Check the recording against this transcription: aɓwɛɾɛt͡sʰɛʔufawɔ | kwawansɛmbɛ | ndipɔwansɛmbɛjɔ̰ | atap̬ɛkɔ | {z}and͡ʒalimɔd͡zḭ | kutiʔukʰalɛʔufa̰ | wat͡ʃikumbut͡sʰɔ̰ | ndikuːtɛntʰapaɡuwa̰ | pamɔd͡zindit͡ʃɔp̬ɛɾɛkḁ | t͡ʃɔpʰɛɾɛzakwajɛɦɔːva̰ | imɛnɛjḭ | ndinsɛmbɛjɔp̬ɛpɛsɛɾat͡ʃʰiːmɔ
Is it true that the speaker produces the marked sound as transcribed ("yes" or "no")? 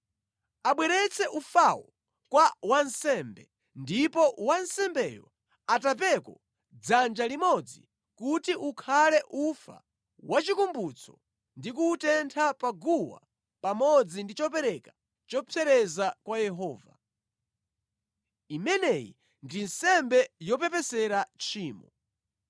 no